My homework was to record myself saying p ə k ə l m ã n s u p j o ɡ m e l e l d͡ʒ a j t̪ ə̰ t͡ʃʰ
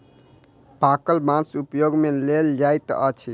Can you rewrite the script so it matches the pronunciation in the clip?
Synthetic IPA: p a k ə l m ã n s u p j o ɡ m e l e l d͡ʒ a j t̪ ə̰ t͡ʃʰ